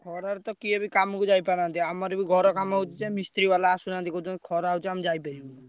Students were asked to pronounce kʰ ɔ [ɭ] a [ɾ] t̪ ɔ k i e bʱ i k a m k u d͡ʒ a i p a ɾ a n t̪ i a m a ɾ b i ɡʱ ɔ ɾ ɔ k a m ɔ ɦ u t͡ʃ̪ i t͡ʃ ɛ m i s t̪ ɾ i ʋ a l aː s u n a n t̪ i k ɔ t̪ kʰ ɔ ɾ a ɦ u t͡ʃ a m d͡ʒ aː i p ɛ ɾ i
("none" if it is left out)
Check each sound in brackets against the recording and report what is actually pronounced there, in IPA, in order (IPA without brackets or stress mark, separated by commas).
ɾ, ɾ